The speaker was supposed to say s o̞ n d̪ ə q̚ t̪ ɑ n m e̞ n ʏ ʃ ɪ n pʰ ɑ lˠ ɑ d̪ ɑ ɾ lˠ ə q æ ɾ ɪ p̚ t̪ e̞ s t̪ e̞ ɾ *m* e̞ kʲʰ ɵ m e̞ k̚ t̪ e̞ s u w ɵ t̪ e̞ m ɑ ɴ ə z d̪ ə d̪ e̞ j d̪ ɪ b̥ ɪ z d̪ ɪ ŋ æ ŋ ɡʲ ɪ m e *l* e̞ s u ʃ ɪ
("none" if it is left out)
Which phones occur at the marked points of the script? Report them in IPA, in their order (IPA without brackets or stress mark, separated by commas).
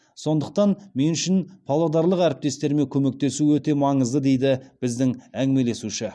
m, l